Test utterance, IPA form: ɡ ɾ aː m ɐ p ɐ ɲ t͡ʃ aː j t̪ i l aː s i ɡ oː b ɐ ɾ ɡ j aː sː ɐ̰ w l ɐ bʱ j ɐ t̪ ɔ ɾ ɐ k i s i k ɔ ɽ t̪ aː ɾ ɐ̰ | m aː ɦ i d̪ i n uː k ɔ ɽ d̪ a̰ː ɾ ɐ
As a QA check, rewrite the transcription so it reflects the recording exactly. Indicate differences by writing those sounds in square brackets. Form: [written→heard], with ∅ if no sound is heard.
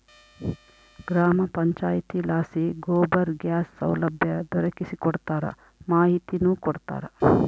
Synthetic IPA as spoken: ɡ ɾ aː m ɐ p ɐ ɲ t͡ʃ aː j t̪ i l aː s i ɡ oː b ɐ ɾ ɡ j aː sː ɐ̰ w l ɐ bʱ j ɐ [t̪→d̪] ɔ ɾ ɐ k i s i k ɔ ɽ t̪ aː ɾ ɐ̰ | m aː ɦ i [d̪→t̪] i n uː k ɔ ɽ [d̪→t̪] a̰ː ɾ ɐ